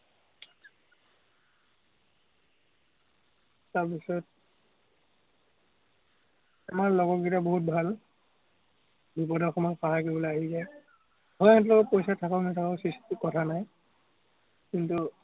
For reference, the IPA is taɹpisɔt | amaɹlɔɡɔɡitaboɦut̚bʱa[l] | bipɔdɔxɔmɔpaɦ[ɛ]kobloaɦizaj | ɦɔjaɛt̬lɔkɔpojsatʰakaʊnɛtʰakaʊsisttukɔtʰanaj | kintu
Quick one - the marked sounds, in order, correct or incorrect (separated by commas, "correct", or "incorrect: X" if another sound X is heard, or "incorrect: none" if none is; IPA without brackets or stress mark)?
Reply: correct, incorrect: a